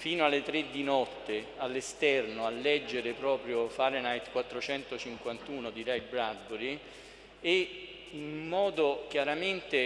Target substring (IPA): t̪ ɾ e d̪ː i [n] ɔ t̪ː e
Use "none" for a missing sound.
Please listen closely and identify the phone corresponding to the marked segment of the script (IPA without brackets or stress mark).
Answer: n